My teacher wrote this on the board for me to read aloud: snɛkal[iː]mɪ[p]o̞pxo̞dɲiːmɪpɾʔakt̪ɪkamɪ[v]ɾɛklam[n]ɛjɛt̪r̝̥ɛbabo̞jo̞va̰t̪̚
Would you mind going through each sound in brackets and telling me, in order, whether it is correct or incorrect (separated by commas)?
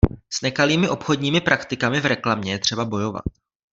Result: correct, incorrect, correct, incorrect